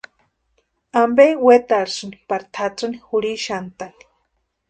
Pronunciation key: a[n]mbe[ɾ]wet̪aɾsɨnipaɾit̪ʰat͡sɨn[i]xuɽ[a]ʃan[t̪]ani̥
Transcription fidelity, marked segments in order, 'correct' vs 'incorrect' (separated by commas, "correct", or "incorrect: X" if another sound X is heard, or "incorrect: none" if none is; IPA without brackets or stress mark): incorrect: none, incorrect: none, correct, incorrect: i, correct